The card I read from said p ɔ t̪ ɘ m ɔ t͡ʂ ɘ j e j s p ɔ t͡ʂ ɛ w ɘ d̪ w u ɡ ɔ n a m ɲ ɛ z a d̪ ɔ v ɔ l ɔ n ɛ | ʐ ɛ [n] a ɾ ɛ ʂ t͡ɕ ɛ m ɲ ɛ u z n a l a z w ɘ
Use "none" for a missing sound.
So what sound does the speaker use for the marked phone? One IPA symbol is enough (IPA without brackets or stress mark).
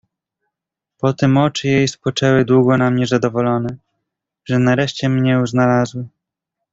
n